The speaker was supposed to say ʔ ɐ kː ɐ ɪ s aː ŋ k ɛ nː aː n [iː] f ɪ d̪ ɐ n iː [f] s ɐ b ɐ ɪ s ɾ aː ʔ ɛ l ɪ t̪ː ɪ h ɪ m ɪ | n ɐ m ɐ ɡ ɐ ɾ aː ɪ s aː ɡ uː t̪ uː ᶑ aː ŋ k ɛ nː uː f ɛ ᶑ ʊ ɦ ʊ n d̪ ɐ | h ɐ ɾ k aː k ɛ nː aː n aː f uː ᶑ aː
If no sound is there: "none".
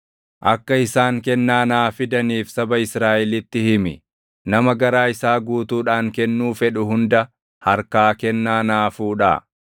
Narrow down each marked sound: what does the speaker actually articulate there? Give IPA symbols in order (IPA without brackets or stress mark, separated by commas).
aː, f